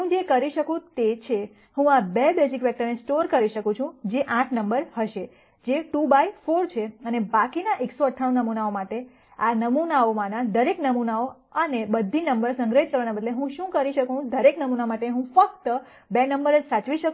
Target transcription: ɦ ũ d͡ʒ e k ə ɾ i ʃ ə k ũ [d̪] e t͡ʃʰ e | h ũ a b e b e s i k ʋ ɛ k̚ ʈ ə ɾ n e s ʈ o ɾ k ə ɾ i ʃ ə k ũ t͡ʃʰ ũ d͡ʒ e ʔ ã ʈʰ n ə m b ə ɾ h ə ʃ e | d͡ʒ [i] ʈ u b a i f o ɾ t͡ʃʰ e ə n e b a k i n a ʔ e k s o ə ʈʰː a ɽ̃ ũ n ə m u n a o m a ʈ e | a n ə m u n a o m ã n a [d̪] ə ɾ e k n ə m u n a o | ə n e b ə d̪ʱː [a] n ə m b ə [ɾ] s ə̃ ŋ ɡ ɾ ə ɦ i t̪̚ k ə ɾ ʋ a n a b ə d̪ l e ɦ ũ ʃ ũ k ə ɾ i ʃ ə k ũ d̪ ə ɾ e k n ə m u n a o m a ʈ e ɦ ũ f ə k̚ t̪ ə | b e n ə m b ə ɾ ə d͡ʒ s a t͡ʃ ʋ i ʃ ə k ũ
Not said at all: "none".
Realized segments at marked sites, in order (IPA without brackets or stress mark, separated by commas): t̪, e, d̪, i, ɾ